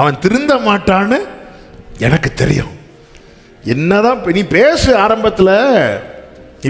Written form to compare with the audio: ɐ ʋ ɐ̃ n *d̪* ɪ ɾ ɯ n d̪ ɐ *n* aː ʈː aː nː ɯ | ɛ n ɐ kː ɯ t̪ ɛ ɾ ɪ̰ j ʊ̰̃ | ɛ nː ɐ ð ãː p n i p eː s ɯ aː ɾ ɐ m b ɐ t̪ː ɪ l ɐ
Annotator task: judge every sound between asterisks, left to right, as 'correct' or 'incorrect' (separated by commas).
incorrect, incorrect